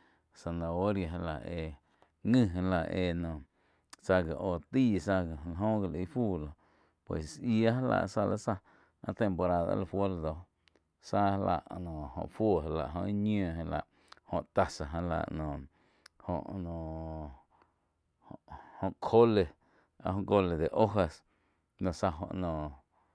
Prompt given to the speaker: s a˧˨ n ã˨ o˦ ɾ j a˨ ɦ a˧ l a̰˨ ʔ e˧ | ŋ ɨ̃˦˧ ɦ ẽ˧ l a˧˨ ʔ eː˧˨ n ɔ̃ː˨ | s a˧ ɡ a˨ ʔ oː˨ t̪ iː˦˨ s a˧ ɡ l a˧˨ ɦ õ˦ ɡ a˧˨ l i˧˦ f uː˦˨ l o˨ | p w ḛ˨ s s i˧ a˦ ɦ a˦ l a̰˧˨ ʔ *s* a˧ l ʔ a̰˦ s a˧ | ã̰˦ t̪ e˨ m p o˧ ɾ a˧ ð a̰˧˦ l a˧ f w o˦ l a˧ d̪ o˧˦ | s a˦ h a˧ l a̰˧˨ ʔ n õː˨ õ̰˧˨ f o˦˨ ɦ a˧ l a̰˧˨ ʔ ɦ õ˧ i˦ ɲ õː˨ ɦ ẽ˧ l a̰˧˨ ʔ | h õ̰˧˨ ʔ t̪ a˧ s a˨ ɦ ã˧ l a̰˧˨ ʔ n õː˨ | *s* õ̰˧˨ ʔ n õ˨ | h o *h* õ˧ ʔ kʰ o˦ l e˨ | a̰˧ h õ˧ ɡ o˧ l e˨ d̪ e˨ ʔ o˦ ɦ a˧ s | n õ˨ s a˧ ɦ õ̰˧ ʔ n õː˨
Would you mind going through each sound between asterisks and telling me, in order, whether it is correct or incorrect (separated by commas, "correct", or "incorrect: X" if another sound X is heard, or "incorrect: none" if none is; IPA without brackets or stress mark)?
correct, incorrect: h, correct